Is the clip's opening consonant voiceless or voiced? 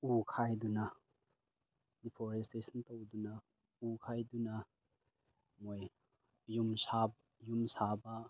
voiceless